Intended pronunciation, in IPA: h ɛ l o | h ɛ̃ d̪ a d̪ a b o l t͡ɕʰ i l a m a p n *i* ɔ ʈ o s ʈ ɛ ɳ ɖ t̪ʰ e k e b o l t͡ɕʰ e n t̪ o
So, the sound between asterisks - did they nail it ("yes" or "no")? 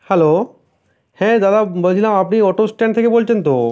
yes